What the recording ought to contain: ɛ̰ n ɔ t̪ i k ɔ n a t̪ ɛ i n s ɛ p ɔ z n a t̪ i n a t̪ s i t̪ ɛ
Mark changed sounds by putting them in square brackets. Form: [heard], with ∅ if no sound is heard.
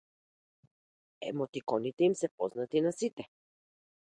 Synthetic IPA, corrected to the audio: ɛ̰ [m] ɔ t̪ i k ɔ n [i] t̪ ɛ i [m] s ɛ p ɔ z n a t̪ i n a [∅] s i t̪ ɛ